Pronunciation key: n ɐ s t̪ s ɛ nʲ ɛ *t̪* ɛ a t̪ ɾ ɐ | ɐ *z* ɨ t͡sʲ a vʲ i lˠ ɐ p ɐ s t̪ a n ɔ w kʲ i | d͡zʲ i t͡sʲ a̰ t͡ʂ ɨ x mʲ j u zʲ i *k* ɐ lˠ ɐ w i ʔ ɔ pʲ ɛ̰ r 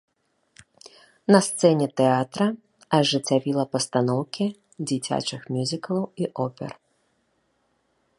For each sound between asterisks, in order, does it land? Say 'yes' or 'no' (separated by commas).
yes, no, yes